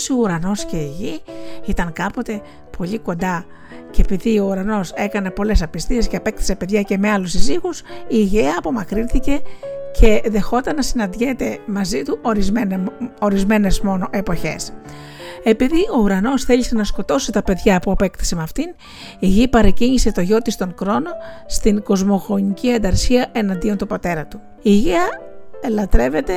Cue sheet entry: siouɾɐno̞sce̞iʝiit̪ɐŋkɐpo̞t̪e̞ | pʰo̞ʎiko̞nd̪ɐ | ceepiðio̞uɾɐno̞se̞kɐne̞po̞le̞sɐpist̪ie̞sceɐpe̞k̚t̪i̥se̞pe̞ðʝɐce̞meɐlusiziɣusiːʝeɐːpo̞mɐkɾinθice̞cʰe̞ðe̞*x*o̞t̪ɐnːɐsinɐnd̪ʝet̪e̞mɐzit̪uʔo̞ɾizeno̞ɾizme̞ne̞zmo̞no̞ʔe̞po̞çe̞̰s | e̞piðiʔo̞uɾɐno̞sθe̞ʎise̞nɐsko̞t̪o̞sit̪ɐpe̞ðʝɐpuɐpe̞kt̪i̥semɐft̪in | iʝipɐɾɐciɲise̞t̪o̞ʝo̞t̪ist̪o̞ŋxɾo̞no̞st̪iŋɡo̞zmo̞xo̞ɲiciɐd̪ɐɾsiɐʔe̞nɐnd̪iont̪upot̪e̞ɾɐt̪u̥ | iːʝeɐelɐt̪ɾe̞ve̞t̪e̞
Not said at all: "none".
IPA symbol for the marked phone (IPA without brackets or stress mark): x